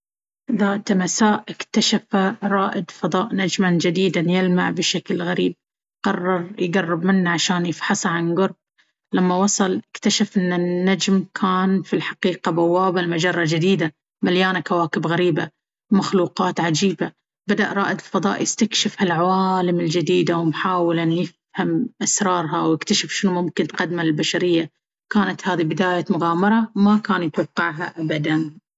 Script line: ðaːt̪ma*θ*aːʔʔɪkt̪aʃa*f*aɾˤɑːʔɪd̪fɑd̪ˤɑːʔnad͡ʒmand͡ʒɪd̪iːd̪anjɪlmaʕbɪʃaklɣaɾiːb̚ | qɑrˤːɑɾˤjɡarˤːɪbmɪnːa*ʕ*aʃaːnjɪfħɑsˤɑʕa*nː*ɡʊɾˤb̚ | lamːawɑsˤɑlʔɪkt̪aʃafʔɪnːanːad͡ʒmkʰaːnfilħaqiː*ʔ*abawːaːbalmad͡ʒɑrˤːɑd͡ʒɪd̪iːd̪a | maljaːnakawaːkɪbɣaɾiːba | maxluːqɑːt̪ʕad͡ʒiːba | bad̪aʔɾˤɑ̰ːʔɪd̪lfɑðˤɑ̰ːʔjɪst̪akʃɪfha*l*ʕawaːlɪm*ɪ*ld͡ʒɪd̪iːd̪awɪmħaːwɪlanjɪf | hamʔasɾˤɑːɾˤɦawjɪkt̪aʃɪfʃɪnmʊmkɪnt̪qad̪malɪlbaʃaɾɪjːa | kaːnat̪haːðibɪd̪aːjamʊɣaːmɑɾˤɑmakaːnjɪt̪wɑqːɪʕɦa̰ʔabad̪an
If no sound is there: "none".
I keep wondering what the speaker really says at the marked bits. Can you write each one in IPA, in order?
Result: s, f, ʕ, n, q, l, ɪ

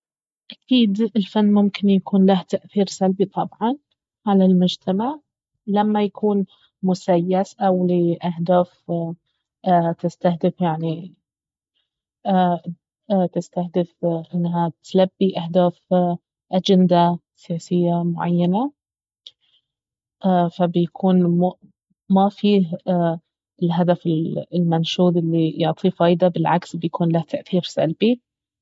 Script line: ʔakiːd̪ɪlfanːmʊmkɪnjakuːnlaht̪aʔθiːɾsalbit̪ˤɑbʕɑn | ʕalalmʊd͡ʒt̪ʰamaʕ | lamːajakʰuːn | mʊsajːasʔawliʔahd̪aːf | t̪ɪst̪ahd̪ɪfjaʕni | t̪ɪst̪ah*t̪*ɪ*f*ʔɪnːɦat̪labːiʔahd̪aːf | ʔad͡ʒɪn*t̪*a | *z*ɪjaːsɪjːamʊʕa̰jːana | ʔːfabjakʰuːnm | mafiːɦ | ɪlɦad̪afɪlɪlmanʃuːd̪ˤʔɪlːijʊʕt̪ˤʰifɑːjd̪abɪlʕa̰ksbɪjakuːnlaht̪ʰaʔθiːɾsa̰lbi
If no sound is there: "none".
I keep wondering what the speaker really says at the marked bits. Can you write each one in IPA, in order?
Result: d̪, f, d̪, s

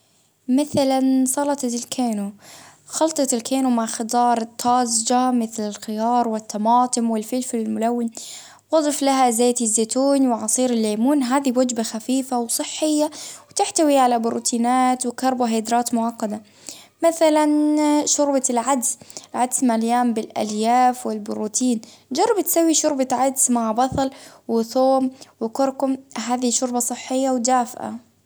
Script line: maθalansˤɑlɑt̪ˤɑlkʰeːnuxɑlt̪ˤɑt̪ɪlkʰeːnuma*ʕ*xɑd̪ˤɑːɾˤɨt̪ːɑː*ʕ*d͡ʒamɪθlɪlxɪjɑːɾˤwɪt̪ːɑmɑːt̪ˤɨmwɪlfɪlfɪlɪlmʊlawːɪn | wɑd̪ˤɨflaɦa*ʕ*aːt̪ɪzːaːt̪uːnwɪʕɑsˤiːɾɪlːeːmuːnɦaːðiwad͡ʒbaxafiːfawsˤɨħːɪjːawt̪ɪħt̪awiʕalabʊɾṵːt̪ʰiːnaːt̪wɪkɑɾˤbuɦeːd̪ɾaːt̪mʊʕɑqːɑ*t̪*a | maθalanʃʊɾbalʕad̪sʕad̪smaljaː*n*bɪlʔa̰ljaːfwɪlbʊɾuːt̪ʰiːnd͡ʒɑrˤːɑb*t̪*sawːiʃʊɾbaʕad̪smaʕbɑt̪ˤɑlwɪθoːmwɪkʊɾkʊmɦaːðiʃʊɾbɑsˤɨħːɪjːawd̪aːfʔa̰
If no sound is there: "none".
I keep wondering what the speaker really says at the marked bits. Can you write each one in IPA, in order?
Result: ʕ, z, z, d̪, m, t̪

